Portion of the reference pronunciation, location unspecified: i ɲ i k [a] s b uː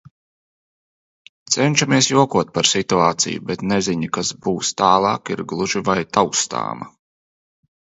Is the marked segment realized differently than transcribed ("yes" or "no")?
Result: no